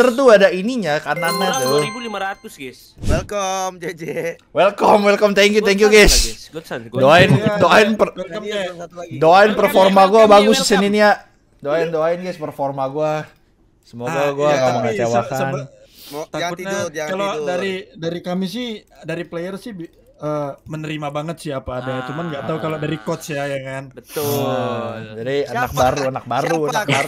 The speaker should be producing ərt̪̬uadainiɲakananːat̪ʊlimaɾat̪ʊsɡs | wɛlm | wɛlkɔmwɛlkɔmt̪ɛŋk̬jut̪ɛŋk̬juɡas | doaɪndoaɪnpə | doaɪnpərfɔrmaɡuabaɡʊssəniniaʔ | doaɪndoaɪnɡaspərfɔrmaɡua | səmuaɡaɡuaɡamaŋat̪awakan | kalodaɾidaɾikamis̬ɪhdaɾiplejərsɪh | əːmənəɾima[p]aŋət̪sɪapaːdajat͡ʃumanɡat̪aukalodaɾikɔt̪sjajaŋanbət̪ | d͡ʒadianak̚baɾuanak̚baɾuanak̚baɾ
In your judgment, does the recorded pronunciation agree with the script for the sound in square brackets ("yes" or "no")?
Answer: no